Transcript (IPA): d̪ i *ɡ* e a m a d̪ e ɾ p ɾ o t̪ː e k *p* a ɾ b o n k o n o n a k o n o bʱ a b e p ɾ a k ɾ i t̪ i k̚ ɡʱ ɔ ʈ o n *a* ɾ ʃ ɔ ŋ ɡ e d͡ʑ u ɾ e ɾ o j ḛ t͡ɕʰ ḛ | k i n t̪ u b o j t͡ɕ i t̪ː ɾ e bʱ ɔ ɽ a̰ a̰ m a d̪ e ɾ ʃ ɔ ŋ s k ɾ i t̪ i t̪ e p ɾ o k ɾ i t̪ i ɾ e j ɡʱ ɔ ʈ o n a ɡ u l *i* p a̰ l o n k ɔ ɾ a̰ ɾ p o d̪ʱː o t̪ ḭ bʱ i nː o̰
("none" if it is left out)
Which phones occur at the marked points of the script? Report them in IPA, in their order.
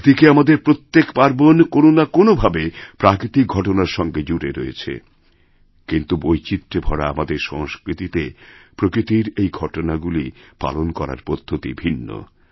k, p, a, i

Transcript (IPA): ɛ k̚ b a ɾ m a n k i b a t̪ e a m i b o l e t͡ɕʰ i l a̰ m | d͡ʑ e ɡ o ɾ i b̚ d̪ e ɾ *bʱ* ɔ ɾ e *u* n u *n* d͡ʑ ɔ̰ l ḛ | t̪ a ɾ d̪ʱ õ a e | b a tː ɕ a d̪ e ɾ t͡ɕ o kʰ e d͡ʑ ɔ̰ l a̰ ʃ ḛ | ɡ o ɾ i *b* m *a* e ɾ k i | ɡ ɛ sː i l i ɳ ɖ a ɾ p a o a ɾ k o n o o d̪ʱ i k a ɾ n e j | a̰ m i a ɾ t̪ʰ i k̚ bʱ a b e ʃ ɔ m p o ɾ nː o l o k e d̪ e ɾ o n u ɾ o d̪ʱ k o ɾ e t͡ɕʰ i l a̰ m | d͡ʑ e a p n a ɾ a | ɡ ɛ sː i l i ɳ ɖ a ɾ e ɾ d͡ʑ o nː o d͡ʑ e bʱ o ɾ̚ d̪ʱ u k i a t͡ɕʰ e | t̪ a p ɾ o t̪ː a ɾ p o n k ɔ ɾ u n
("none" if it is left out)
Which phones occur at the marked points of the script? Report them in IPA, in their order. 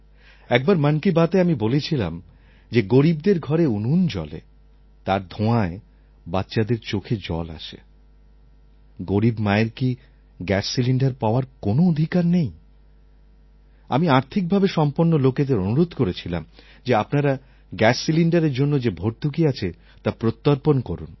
ɡʱ, u, n, b, a

